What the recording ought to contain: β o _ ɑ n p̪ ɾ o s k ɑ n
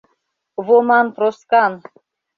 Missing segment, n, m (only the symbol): m